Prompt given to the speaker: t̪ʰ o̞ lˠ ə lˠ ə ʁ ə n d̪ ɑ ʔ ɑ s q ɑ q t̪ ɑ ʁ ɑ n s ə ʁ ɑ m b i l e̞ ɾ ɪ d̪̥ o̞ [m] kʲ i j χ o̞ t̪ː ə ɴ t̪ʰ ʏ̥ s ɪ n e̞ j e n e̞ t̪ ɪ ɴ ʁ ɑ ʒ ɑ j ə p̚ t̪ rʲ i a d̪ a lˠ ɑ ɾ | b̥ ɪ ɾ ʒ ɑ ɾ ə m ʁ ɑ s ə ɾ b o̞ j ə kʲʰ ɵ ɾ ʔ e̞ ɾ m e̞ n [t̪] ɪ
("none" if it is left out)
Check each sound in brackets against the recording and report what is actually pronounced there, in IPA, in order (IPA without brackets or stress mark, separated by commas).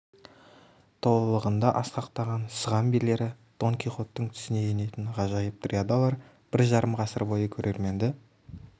ŋ, d̪